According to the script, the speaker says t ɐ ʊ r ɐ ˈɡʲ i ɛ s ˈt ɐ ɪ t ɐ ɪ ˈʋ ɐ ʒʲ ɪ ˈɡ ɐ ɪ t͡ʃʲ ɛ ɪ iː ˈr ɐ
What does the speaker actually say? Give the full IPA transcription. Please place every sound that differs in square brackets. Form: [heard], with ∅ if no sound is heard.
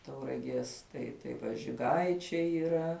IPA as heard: t ɐ ʊ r ɐ ˈɡʲ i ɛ s ˈt ɐ ɪ t ɐ ɪ ˈʋ ɐ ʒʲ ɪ ˈɡ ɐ ɪ t͡ʃʲ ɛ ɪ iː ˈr ɐ